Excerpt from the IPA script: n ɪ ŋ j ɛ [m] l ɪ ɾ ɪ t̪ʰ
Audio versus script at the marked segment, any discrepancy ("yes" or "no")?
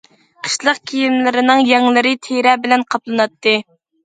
yes